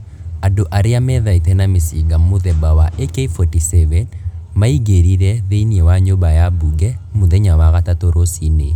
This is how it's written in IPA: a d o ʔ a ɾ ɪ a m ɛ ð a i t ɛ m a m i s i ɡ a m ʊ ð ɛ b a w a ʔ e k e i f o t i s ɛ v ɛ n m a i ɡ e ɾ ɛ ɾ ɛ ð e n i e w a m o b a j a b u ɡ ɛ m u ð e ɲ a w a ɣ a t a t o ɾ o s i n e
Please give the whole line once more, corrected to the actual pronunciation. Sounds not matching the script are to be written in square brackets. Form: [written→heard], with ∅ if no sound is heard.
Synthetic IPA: a d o ʔ a ɾ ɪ a m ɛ ð a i t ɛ [m→n] a m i s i ɡ a m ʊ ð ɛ b a w a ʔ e k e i f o t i s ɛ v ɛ n m a i ɡ e ɾ [ɛ→i] ɾ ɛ ð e n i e w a [m→ɲ] o b a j a b u ɡ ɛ m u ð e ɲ a w a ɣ a t a t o ɾ o s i n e

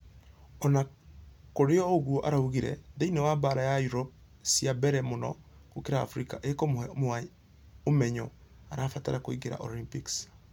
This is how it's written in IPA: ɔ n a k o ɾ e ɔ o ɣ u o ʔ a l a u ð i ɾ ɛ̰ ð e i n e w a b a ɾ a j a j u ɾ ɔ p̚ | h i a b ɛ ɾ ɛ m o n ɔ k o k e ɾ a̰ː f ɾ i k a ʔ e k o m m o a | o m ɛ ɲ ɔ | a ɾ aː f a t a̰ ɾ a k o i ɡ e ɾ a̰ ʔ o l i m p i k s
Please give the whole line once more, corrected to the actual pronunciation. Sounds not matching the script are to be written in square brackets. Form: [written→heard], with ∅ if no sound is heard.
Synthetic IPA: ɔ n a k o ɾ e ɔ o ɣ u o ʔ a [l→ɾ] a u [ð→ɣ] i ɾ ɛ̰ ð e i n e w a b a ɾ a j a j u ɾ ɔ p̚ | [h→s] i a b ɛ ɾ ɛ m o n ɔ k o k e ɾ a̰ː f ɾ i k a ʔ e k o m m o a | o m ɛ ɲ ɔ | a ɾ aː f a t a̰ ɾ a k o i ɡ e ɾ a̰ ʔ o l i m p i k s

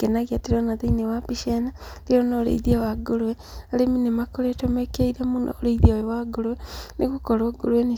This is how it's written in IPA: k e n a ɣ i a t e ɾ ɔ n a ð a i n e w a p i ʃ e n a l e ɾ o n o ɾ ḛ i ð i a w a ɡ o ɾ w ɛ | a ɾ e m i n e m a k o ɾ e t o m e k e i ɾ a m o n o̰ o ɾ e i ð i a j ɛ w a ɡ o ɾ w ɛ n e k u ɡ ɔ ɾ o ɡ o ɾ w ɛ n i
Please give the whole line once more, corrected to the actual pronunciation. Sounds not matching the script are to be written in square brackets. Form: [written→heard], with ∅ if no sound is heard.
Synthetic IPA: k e n a ɣ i a t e ɾ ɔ n a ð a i n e w a p i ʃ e n a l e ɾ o n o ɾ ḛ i ð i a w a ɡ o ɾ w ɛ | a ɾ e m i n e m a k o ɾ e t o m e k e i ɾ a m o n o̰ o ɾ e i ð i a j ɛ w a ɡ o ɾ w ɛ n e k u [ɡ→k] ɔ ɾ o ɡ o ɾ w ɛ n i

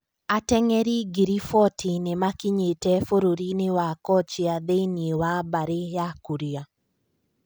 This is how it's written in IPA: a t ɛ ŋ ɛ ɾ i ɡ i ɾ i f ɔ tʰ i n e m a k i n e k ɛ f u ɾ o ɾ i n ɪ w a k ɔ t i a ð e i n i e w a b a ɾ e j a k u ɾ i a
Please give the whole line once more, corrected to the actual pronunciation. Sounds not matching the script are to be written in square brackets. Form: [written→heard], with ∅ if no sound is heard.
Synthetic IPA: a t ɛ ŋ ɛ ɾ i ɡ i ɾ i f ɔ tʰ i n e m a k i [n→ɲ] e [k→t] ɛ f [u→o] ɾ o ɾ i n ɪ w a k ɔ [t→t͡ʃ] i a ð e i n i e w a b a ɾ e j a k u ɾ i a

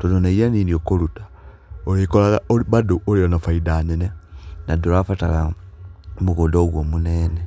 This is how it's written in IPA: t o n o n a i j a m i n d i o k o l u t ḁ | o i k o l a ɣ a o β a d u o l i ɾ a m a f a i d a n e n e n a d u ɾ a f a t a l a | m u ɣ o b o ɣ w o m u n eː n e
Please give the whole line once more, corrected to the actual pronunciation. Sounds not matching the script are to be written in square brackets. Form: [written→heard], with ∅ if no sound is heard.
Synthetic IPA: t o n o n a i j a [m→n] i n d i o k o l u t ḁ | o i k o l a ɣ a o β a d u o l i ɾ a [m→n] a f a i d a n e n e n a d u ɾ a f a t a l a | m u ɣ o [b→d] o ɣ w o m u n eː n e

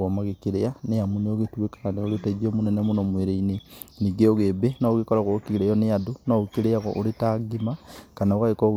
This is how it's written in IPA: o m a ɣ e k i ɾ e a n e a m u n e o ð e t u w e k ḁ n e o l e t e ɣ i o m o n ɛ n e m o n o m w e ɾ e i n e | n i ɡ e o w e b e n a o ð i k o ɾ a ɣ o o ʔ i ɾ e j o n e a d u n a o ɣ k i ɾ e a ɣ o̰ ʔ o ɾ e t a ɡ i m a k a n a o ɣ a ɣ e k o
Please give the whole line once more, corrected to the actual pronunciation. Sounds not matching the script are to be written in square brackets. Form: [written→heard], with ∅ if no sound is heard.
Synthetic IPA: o m a ɣ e k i ɾ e a n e a m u n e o [ð→ɣ] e t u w e k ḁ n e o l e t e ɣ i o m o n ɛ n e m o n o m w e ɾ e i n e | n i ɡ e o [w→ɣ] e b e n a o [ð→ɣ] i k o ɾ a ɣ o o [ʔ→k] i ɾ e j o n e a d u n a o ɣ k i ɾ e a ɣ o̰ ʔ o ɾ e t a ɡ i m a k a n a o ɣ a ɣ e k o

